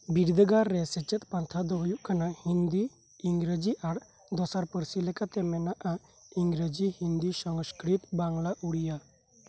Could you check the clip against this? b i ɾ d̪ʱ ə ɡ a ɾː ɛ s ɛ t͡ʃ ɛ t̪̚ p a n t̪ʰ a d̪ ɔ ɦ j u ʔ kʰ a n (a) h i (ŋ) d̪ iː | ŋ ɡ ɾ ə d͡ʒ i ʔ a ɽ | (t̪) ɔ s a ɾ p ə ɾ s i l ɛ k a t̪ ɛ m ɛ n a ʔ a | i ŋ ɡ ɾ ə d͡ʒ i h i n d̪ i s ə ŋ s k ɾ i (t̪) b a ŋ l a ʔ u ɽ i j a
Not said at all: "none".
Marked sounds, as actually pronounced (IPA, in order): a, n, d̪, t̪

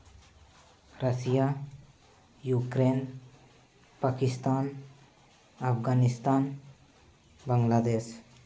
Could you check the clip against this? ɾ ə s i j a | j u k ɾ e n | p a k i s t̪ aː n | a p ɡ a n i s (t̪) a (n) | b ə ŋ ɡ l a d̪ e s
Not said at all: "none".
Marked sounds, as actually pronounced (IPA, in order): t̪, n

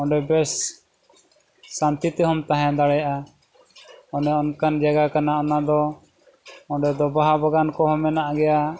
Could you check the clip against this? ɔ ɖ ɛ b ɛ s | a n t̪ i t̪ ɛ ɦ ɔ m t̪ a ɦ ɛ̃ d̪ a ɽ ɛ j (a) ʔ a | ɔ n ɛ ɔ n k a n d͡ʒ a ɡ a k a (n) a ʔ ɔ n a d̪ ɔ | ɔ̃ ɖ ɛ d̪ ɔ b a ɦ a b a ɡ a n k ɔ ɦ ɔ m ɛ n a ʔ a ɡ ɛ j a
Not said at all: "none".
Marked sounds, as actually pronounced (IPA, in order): a, n

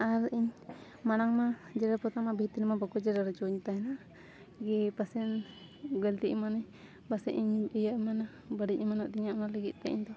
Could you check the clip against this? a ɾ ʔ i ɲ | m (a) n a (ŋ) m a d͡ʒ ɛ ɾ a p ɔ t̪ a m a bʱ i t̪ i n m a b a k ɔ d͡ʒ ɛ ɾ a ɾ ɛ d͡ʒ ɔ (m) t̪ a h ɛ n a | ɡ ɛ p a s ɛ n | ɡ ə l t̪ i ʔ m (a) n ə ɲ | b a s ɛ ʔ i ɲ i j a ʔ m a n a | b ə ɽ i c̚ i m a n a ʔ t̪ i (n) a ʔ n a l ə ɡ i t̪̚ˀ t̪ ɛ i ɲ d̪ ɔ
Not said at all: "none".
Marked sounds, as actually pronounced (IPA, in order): a, ŋ, ɲ, a, ɲ

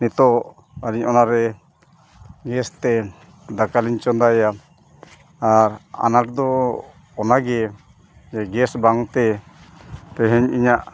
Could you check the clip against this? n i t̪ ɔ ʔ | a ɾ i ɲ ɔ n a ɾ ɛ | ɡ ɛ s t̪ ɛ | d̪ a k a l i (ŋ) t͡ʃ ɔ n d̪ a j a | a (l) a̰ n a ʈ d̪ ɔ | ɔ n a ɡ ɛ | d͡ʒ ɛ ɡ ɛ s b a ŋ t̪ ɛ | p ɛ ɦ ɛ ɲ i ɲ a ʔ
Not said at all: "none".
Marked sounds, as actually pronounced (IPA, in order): ɲ, ɾ

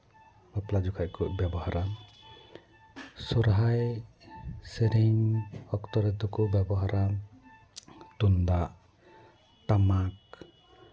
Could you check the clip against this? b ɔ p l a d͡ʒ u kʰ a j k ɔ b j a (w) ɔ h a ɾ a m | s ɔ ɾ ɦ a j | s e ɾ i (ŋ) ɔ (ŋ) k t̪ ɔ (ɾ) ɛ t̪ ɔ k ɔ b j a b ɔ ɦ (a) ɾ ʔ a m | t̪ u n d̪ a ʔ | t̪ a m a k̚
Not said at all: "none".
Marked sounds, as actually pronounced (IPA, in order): b, ŋ, none, ɾ, a

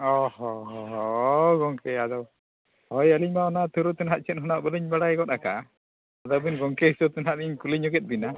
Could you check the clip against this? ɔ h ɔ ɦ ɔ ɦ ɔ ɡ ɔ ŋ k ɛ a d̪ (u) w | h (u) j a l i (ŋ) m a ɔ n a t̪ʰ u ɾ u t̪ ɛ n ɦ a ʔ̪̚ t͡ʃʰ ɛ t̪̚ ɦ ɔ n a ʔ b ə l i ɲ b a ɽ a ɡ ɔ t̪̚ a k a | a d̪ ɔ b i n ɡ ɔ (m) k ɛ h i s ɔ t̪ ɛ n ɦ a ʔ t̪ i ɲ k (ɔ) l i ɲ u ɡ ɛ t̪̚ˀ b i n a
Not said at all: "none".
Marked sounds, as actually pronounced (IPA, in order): ɔ, ɔ, ɲ, ŋ, u

